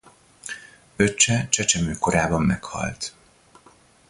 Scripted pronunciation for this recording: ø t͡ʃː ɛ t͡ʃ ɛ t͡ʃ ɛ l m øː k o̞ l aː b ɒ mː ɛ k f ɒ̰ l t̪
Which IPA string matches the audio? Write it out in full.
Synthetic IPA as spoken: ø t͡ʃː ɛ t͡ʃ ɛ t͡ʃ ɛ m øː k o̞ ɾ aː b ɒ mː ɛ k h ɒ̰ l t̪

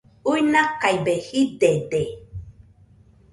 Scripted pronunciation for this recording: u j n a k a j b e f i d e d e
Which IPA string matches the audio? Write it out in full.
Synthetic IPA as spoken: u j n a k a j b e h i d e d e

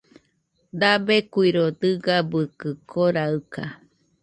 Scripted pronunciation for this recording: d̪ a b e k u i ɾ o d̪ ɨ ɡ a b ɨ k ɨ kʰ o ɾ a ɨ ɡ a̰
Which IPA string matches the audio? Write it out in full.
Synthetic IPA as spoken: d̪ a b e k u i ɾ o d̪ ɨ ɡ a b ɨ k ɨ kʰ o ɾ a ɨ k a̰

